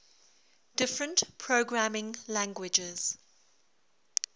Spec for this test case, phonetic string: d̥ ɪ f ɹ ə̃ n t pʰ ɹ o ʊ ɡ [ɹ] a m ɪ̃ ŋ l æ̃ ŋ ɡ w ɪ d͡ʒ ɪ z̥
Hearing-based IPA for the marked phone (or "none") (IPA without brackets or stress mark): ɹ